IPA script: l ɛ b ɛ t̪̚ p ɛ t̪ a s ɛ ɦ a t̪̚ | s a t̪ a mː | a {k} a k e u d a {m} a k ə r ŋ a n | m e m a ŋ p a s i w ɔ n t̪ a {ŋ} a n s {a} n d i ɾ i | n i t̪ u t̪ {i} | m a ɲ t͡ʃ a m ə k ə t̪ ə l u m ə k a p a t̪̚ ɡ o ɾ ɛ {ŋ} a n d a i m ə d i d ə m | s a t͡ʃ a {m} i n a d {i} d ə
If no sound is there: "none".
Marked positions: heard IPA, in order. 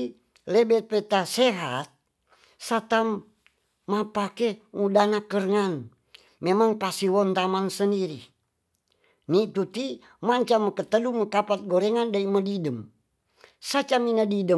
p, n, m, ə, i, ŋ, m, i

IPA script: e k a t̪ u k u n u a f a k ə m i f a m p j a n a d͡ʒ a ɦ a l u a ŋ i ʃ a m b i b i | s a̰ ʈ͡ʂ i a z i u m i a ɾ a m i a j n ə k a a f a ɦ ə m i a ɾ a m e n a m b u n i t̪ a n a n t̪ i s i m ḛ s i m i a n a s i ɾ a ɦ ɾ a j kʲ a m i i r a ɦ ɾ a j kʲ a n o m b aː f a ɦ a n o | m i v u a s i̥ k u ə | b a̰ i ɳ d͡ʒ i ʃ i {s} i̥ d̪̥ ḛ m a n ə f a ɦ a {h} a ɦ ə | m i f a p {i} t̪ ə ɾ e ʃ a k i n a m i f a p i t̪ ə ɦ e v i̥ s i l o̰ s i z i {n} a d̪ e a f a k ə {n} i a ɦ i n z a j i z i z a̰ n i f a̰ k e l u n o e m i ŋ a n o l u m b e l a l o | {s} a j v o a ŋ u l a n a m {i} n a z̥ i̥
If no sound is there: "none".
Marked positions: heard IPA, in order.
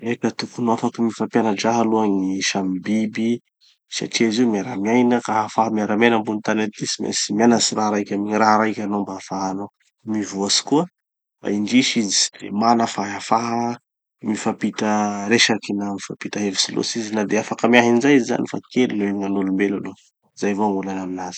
z, f, i, n, m, z, i

